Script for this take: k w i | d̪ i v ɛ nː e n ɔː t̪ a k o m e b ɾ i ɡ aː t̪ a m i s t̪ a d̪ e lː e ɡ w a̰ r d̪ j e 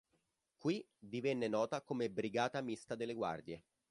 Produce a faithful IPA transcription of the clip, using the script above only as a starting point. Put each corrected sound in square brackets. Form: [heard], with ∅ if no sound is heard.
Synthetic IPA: k w i | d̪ i v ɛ nː e n ɔː t̪ a k o m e b ɾ i ɡ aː t̪ a m i s t̪ a d̪ e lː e ɡ w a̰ r d̪ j e